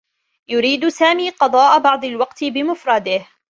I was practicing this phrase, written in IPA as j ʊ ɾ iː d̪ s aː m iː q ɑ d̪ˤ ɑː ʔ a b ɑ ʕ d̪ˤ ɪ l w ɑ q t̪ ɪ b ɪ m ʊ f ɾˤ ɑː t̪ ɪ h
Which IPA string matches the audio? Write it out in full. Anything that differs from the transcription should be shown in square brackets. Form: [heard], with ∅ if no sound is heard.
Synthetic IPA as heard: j ʊ ɾ iː d̪ s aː m iː q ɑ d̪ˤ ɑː ʔ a b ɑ ʕ d̪ˤ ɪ l w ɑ q t̪ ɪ b ɪ m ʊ f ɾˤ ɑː [d̪] ɪ h